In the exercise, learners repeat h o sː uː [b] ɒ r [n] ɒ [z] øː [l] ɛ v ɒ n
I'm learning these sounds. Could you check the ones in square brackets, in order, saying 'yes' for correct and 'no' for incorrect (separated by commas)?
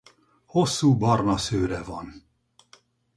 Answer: yes, yes, no, no